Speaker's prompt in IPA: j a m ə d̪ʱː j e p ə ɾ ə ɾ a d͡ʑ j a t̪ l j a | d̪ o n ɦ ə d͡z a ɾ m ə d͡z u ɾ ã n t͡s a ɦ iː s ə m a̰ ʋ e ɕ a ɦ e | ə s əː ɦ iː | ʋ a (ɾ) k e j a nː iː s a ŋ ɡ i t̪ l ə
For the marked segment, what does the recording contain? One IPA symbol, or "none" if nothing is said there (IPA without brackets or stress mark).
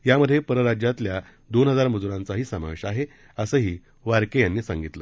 ɾ